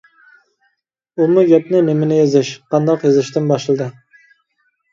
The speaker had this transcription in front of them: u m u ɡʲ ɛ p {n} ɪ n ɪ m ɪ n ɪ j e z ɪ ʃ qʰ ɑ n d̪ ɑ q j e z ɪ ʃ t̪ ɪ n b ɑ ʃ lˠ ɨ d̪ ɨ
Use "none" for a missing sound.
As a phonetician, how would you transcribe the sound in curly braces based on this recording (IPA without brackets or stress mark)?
n